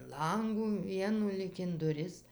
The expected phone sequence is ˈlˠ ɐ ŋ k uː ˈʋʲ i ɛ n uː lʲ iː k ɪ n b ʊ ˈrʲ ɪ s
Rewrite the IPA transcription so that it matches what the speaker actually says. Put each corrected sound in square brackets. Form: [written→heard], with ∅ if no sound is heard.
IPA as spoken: ˈlˠ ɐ ŋ [k→ɡ] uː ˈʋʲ i ɛ n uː lʲ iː k ɪ n [b→d] ʊ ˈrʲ ɪ s